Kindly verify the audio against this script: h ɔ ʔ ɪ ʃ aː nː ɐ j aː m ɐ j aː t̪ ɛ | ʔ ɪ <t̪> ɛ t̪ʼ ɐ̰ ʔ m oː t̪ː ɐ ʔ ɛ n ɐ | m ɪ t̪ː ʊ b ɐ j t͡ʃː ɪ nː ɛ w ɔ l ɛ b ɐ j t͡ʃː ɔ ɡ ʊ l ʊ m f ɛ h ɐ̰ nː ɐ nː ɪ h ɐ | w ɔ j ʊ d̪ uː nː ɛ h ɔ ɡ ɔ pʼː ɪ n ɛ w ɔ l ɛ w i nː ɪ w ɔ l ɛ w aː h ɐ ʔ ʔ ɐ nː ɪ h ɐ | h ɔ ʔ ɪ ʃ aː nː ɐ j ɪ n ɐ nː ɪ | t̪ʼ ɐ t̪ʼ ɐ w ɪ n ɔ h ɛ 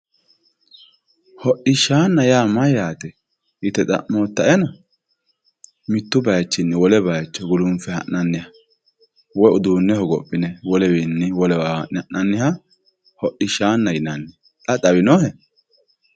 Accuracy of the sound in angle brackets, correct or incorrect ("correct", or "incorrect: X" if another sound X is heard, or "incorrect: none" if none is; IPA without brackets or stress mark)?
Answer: correct